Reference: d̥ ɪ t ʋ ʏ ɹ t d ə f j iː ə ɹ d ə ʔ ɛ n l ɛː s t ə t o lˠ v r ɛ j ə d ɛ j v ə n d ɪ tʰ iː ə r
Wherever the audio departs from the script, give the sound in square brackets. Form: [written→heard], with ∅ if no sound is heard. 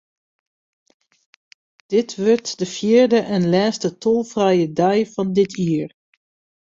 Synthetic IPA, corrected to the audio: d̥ ɪ t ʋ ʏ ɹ t d ə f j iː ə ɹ d ə ʔ ɛ n l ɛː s t ə t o lˠ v r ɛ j ə d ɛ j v [ə→ɑ] n d ɪ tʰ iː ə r